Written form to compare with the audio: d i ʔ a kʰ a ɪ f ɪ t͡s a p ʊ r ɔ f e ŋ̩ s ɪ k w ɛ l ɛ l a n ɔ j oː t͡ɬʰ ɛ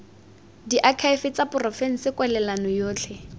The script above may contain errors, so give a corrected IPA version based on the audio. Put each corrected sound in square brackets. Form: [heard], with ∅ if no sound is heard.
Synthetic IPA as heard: d i ʔ a kʰ a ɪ f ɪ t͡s a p ʊ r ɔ f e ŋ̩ s ɪ k w ɛ l ɛ l a n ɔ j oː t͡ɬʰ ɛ